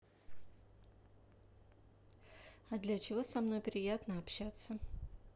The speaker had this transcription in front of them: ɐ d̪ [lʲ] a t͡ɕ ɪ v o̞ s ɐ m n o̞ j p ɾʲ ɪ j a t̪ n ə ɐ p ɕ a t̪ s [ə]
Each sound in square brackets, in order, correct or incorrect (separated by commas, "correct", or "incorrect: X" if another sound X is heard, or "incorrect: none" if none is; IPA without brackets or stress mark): correct, correct